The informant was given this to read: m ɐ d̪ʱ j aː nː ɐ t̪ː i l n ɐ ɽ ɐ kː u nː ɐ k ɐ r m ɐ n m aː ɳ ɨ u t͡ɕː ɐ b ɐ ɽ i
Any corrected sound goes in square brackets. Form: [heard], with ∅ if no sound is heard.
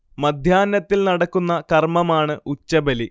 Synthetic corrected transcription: m ɐ d̪ʱ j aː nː ɐ t̪ː i l n ɐ ɽ ɐ kː u nː ɐ k ɐ r m ɐ [∅] m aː ɳ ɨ u t͡ɕː ɐ b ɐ [l] i